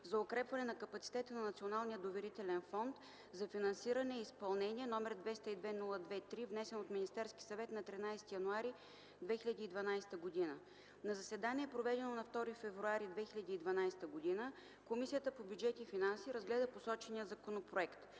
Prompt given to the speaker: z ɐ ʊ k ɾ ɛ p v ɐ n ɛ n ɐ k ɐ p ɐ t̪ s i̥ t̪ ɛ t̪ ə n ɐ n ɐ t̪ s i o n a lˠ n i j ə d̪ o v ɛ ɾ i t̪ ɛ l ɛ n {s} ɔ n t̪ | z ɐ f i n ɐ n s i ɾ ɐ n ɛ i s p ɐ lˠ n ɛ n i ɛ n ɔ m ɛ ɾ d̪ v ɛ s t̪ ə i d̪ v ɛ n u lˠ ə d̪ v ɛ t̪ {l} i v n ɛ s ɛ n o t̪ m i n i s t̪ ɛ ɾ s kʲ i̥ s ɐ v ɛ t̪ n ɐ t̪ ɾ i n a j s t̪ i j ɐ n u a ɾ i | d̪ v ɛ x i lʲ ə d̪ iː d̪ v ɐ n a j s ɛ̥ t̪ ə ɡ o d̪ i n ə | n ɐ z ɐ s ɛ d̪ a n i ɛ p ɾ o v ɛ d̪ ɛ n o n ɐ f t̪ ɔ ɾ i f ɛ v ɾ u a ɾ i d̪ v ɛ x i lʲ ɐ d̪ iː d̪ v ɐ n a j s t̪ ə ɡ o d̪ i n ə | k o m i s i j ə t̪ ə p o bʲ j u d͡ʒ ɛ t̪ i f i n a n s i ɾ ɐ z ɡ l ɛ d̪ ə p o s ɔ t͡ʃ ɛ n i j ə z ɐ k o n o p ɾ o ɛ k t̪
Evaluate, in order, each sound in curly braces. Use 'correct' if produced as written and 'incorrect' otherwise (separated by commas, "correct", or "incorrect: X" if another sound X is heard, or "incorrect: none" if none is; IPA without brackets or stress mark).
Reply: incorrect: f, incorrect: ɾ